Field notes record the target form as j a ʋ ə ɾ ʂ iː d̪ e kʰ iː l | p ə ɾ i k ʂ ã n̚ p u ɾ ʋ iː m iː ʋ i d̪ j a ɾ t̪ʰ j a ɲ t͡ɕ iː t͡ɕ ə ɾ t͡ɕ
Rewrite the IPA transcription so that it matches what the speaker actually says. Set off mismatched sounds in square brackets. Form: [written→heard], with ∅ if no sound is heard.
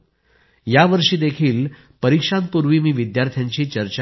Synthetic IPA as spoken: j a ʋ ə ɾ ʂ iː d̪ e kʰ iː l | p ə ɾ i k ʂ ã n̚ p u ɾ ʋ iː m iː ʋ i d̪ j a ɾ t̪ʰ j a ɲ t͡ɕ iː t͡ɕ ə ɾ t͡ɕ